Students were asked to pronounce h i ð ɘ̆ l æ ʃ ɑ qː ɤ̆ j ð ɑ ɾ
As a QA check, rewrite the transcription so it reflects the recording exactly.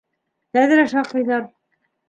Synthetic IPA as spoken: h æ ð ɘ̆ ɾ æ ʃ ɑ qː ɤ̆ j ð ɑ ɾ